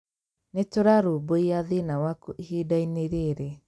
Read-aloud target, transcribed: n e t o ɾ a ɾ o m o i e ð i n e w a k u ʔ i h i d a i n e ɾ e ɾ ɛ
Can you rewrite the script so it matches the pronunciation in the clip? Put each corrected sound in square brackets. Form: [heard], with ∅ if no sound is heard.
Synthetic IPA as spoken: n e t o ɾ a ɾ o [b] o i [a] ð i n [a] w a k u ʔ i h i d a i n e ɾ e ɾ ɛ